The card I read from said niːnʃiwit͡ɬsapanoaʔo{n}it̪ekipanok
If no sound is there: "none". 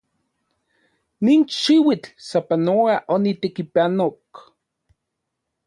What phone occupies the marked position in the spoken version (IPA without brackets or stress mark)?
n